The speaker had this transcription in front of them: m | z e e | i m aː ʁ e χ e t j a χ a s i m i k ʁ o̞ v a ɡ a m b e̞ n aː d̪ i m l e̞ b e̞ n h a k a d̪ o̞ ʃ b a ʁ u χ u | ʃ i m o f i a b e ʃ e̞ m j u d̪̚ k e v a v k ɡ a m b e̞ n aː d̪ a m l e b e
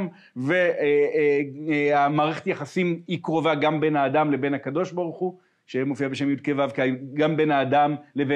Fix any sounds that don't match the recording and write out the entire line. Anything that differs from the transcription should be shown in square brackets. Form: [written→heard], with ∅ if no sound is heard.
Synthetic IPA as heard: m | [z→v] e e | [i→a] m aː ʁ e χ e t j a χ a s i m i k ʁ o̞ v a ɡ a m b e̞ n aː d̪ [i→a] m l e̞ b e̞ n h a k a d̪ o̞ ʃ b a ʁ u χ u | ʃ [i→e] m o f i a b e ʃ e̞ m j u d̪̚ k e v a v k ɡ a m b e̞ n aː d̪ a m l e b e